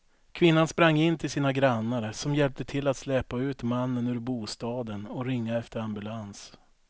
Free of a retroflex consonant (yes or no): yes